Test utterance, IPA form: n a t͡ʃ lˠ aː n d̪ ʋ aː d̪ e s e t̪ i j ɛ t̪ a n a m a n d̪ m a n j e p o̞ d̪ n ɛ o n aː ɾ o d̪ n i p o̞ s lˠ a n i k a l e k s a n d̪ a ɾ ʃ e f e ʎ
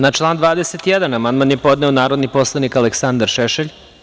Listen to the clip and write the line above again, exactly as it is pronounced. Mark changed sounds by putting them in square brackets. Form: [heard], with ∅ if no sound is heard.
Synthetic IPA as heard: n a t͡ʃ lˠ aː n d̪ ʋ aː d̪ e s e t̪ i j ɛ [d̪] a n a m a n d̪ m a n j e p o̞ d̪ n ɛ o n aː ɾ o d̪ n i p o̞ s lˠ a n i k a l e k s a n d̪ a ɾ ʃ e [ʃ] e ʎ

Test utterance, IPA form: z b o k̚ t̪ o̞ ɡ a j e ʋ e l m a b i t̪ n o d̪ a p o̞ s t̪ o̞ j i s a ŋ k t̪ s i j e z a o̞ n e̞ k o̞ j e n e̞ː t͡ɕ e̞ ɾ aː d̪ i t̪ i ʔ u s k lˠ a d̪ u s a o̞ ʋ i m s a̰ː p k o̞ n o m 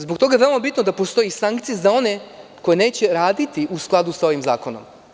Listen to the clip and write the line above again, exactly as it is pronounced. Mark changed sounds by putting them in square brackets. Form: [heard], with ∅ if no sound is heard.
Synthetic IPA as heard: z b o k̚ t̪ o̞ ɡ a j e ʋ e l m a b i t̪ n o d̪ a p o̞ s t̪ o̞ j i s a ŋ k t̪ s i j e z a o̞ n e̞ k o̞ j e n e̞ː t͡ɕ e̞ ɾ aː d̪ i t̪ i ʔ u s k lˠ a d̪ u s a o̞ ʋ i m [z] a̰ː [∅] k o̞ n o m

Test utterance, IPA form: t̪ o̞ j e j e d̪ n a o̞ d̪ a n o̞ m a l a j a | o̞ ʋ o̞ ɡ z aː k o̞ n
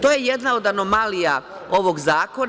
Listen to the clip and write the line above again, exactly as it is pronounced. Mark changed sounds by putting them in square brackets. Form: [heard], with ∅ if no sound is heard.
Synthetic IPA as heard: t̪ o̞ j e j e d̪ n a o̞ d̪ a n o̞ m a l [i] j a | o̞ ʋ o̞ ɡ z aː k o̞ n

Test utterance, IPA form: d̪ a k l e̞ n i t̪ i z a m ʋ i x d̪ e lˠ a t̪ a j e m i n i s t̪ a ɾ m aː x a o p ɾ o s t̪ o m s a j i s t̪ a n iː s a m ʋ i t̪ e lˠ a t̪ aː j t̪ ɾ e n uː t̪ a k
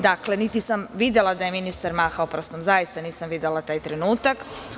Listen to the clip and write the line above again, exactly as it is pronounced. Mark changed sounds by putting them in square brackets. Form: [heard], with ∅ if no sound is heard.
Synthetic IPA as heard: d̪ a k l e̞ n i t̪ i [s] a m ʋ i [∅] d̪ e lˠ a [d̪] a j e m i n i s t̪ a ɾ m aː x a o p ɾ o s t̪ o m [z] a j i s t̪ a n iː s a m ʋ i [d̪] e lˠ a t̪ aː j t̪ ɾ e n uː t̪ a k

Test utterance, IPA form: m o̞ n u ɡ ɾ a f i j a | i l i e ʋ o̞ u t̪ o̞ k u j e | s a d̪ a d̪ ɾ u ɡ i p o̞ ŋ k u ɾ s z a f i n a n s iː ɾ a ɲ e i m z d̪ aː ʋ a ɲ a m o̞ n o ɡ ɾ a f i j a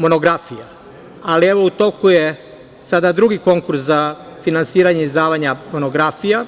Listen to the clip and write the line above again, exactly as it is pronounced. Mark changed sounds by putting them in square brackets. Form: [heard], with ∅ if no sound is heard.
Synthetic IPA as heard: m o̞ n [o] ɡ ɾ a f i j a | [a] l i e ʋ o̞ u t̪ o̞ k u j e | s a d̪ a d̪ ɾ u ɡ i [k] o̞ ŋ k u ɾ s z a f i n a n s iː ɾ a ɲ e i [∅] z d̪ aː ʋ a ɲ a m o̞ n o ɡ ɾ a f i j a

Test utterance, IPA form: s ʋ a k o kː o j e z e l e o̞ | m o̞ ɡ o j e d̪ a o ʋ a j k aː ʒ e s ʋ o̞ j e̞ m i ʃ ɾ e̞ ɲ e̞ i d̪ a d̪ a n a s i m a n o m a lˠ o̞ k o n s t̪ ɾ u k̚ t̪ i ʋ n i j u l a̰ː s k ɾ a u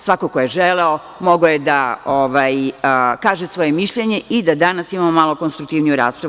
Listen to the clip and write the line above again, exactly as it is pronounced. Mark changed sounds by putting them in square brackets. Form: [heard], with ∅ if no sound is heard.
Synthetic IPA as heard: s ʋ a k o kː o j e [ʒ] e l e o̞ | m o̞ ɡ o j e d̪ a o ʋ a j k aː ʒ e s ʋ o̞ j e̞ m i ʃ [ʎ] e̞ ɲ e̞ i d̪ a d̪ a n a s i m a [m] o m a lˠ o̞ k o n s t̪ ɾ u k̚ t̪ i ʋ n i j u [ɾ] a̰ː s [p] ɾ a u

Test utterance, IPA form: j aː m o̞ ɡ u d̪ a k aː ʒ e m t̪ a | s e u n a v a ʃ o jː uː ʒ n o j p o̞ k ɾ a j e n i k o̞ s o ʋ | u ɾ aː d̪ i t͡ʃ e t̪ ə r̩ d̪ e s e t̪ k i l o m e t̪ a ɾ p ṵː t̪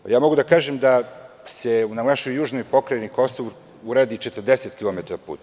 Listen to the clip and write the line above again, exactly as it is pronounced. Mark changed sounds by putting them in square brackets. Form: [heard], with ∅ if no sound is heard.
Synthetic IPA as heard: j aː m o̞ ɡ u d̪ a k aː ʒ e m [d̪] a | s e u n a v a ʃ o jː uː ʒ n o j p o̞ k ɾ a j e n i k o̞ s o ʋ | u ɾ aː d̪ i t͡ʃ e t̪ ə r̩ d̪ e s e t̪ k i l o m e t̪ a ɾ p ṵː t̪

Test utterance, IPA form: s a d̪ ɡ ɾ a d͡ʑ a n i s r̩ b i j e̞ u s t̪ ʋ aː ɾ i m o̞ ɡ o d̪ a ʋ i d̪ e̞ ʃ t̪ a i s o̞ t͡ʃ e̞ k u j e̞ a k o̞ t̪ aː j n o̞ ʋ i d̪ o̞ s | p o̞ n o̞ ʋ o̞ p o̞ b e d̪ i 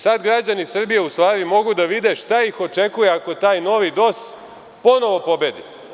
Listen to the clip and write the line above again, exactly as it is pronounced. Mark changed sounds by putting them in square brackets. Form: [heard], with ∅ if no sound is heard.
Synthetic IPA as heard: s a d̪ ɡ ɾ a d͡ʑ a n i s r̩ b i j e̞ u s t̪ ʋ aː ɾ i m o̞ ɡ [u] d̪ a ʋ i d̪ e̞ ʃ t̪ a i [x] o̞ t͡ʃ e̞ k u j e̞ a k o̞ t̪ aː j n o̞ ʋ i d̪ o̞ s | p o̞ n o̞ ʋ o̞ p o̞ b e d̪ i

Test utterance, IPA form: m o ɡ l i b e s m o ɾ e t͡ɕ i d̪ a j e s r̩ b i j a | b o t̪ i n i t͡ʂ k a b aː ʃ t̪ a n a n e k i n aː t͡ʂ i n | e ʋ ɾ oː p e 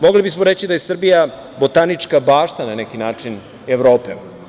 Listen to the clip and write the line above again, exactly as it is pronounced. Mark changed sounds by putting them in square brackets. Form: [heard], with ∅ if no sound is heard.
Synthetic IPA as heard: m o ɡ l i b [i] s m o ɾ e t͡ɕ i d̪ a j e s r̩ b i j a | b o t̪ [a] n i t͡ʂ k a b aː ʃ t̪ a n a n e k i n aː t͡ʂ i n | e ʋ ɾ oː p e

